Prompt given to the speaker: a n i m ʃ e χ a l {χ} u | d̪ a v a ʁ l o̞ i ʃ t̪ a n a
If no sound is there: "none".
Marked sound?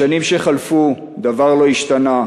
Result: f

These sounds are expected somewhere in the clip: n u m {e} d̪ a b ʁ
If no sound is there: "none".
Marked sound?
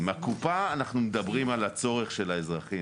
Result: e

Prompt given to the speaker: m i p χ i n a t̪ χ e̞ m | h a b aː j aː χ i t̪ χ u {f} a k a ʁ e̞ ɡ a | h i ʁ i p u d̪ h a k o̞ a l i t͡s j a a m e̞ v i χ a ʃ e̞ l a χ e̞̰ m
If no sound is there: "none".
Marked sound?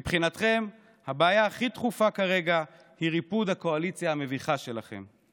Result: f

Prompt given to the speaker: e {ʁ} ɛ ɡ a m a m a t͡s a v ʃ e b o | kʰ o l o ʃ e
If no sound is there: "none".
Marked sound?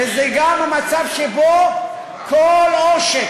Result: z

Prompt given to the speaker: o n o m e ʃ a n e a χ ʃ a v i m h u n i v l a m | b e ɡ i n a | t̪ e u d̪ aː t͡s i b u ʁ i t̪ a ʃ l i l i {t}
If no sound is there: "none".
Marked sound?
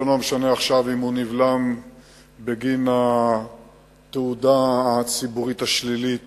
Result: t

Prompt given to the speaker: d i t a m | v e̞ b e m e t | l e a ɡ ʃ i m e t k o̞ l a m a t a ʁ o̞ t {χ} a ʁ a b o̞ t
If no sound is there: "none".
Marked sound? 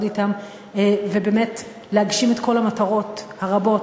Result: h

